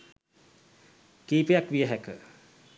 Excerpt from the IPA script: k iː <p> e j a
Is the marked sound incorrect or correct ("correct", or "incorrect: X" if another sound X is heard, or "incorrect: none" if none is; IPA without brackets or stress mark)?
correct